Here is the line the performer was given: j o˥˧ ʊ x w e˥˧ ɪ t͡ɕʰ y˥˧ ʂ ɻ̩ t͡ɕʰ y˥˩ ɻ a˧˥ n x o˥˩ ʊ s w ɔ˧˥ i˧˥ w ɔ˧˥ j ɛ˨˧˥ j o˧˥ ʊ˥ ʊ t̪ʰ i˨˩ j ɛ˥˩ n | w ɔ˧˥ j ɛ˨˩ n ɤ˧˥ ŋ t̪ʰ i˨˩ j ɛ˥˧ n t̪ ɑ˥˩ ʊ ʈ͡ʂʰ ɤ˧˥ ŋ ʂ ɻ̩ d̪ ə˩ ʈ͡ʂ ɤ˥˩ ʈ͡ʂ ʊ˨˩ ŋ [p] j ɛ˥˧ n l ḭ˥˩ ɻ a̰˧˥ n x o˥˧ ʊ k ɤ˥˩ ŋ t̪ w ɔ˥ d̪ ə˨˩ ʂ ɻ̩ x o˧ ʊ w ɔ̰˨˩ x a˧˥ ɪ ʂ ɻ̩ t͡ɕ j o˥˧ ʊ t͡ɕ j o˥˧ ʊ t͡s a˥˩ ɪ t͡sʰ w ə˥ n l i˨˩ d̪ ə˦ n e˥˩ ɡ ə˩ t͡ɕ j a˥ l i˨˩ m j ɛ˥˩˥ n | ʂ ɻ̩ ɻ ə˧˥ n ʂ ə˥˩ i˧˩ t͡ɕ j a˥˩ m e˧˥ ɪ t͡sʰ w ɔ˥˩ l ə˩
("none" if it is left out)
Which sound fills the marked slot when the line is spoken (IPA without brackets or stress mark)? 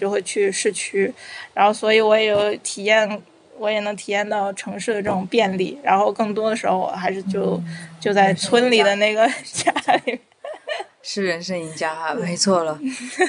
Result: p